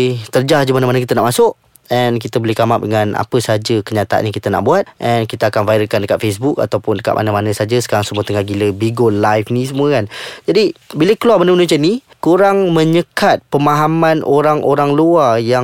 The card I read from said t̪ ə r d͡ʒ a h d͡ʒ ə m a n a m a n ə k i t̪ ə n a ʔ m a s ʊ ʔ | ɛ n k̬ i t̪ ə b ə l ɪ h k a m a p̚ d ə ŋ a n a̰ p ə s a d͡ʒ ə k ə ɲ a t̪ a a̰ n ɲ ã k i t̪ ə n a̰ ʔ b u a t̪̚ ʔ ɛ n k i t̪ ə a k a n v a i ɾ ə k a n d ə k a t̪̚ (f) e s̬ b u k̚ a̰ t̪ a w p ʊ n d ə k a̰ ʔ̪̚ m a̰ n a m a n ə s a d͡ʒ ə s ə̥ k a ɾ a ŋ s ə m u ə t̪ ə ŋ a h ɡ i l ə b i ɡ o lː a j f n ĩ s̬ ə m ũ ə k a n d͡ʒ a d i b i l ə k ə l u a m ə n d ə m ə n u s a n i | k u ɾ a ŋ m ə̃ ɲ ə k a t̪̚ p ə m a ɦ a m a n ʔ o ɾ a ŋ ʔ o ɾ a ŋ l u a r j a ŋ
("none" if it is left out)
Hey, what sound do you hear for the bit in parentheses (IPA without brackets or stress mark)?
f